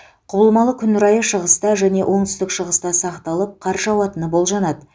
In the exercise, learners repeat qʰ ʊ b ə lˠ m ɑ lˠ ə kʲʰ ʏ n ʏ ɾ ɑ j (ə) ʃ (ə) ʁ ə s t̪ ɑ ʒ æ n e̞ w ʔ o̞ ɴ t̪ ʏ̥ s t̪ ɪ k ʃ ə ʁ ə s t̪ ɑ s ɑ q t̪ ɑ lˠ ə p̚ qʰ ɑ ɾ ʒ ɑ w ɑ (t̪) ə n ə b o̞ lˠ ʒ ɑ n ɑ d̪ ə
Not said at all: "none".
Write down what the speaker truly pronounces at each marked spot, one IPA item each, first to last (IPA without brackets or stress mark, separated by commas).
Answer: ə, ə, t̪